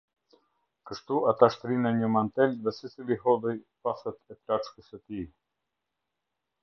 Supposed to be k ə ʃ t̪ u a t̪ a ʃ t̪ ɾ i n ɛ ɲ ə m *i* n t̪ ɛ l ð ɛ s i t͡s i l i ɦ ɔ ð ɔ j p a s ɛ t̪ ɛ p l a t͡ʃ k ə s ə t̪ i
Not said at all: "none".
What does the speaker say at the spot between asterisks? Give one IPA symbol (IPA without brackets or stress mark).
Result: a